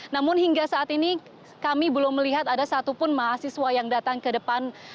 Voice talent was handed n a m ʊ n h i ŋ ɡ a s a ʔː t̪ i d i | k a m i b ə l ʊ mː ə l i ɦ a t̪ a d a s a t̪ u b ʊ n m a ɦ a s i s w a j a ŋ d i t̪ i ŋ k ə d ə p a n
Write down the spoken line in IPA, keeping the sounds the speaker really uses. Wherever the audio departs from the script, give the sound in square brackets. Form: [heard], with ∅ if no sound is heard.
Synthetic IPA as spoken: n a m ʊ n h i ŋ ɡ a s a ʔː t̪ i [n] i | k a m i b ə l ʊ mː ə l i ɦ a t̪ a d a s a t̪ u [p] ʊ n m a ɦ a s i s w a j a ŋ d [a] t̪ [a] ŋ k ə d ə p a n